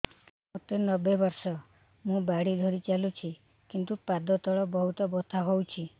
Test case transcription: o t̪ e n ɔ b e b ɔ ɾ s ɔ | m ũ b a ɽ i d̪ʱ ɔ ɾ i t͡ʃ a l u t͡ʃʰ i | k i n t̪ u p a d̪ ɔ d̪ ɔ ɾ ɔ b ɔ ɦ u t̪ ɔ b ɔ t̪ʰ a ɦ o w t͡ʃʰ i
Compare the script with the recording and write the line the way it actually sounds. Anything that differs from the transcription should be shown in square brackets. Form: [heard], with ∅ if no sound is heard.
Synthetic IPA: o t̪ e n ɔ b e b ɔ ɾ s ɔ | m ũ b a ɽ i d̪ʱ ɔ ɾ i t͡ʃ a l u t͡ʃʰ i | k i n t̪ u p a d̪ ɔ [t̪] ɔ [ɭ] ɔ b ɔ ɦ u t̪ ɔ b ɔ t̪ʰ a ɦ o w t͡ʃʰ i